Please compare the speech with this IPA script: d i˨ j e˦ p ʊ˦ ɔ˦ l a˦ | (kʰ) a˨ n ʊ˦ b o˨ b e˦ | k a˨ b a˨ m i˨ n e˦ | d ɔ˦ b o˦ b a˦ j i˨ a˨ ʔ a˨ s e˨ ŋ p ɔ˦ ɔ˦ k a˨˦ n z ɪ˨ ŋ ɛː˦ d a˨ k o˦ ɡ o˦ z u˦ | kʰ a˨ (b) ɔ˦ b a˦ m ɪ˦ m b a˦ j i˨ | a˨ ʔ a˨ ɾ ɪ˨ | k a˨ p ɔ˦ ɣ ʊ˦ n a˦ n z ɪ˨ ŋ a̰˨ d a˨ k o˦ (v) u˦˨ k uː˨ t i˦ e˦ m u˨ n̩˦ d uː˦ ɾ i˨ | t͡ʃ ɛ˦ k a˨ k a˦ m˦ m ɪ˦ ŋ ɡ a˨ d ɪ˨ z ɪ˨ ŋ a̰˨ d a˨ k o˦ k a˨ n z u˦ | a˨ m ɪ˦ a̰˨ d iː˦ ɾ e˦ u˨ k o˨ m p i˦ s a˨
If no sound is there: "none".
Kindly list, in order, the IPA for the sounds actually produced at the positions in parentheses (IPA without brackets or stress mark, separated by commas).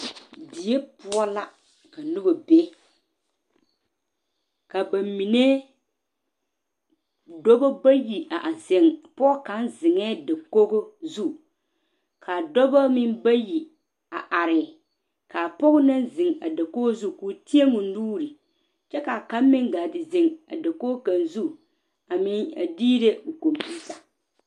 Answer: k, d, z